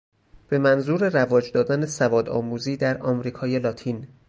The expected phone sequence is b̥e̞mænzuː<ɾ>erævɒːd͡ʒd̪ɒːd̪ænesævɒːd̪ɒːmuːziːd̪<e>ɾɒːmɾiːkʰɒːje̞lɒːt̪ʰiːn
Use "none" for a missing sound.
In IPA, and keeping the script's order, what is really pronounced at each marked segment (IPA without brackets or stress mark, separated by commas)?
ɾ, æ